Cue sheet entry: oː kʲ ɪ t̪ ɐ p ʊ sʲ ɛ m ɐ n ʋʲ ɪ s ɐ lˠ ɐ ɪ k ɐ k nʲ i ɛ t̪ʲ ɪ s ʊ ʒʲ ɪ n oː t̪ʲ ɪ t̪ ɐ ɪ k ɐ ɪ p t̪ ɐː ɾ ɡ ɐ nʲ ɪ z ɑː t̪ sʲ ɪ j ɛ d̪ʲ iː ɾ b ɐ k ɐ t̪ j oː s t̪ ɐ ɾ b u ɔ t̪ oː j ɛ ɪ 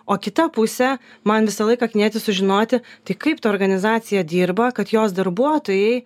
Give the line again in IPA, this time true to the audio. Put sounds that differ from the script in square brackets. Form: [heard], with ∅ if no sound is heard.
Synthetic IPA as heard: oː kʲ ɪ t̪ ɐ p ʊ sʲ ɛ m ɐ n ʋʲ ɪ s ɐ lˠ ɐ ɪ k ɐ k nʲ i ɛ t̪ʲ ɪ s ʊ ʒʲ ɪ n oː t̪ʲ ɪ t̪ ɐ ɪ k ɐ ɪ p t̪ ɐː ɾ ɡ ɐ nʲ ɪ z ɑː t̪ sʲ ɪ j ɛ d̪ʲ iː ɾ b ɐ k ɐ t̪ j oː s [d̪] ɐ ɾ b u ɔ t̪ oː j ɛ ɪ